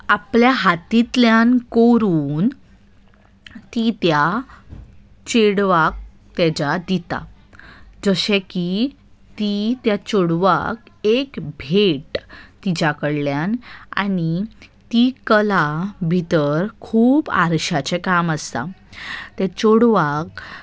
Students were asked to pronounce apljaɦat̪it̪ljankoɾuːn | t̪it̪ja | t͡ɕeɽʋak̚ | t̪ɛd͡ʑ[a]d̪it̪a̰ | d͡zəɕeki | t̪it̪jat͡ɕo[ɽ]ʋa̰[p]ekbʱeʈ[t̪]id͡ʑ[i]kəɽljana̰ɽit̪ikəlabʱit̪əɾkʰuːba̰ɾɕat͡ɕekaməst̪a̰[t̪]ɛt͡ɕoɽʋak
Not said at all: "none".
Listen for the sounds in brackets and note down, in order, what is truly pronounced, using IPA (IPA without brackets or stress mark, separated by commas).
a, ɽ, k, t̪, a, t̪